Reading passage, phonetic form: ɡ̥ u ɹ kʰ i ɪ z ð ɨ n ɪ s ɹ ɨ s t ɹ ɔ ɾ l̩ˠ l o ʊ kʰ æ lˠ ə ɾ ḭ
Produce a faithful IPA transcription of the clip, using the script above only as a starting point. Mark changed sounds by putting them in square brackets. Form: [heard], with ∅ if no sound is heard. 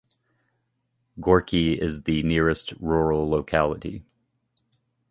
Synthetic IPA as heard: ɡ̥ [ɔ] ɹ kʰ i ɪ z ð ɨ n ɪ [∅] ɹ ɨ s t ɹ ɔ [ɹ] l̩ˠ l o ʊ kʰ æ lˠ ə ɾ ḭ